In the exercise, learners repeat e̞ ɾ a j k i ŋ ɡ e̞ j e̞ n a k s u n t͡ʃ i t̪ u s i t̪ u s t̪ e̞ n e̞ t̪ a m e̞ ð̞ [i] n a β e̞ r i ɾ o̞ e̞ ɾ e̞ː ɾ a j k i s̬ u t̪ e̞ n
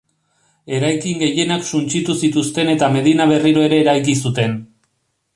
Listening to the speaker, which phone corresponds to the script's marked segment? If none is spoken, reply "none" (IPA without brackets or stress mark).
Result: i